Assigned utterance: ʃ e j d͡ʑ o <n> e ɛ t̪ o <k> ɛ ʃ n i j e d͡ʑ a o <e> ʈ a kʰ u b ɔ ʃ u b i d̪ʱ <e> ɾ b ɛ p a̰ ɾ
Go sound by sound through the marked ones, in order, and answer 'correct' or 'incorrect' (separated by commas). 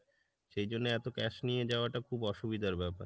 incorrect, correct, incorrect, incorrect